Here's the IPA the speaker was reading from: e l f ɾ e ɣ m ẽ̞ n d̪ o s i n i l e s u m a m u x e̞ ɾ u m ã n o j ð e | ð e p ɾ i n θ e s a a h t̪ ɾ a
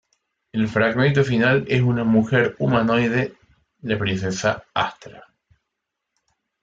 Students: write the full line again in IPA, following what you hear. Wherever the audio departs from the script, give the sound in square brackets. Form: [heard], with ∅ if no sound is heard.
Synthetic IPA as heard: e l f ɾ [a] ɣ m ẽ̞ n [t̪] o [f] i n [a] l e s u [n] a m u x e̞ ɾ u m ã n o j ð e | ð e p ɾ i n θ e s a a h t̪ ɾ a